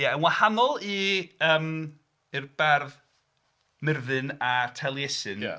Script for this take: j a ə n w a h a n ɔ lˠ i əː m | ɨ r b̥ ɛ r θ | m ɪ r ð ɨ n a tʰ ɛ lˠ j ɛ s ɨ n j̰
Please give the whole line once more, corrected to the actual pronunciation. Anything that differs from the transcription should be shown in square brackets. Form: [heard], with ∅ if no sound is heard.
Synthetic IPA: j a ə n w a h a n ɔ lˠ i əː m | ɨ r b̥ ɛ r [ð] | m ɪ r ð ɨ n a tʰ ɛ lˠ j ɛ s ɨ n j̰